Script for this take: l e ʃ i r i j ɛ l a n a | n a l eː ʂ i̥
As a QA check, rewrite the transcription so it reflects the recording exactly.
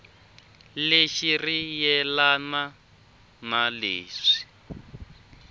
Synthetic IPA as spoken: l e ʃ i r i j ɛ l a n a | n a l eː ʂ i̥